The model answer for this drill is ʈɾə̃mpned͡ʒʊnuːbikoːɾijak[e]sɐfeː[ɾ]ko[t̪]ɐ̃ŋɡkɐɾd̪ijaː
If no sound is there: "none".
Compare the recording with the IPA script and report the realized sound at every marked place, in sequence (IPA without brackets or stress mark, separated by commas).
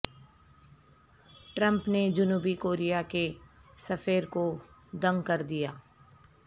e, ɾ, d̪